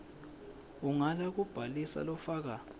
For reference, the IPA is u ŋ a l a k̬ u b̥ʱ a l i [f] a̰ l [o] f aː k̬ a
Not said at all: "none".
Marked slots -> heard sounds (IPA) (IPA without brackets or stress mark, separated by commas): s, ɔ